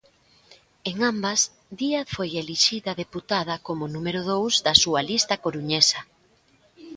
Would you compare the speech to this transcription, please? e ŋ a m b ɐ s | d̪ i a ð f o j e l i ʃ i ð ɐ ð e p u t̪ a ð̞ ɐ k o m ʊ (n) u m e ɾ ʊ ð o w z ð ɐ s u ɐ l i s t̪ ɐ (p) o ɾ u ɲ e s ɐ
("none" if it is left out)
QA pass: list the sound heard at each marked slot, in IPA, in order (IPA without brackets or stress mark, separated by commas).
n, k